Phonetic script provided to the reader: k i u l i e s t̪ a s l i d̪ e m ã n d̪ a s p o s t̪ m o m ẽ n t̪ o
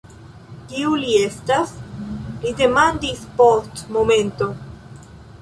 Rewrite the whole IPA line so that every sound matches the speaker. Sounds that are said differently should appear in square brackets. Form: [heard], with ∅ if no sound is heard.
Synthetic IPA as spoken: k i u l i e s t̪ a s l i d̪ e m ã n d̪ [i] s p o s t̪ m o m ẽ n t̪ o